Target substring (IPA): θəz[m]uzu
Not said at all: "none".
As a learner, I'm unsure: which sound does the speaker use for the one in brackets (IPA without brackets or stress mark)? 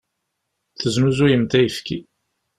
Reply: n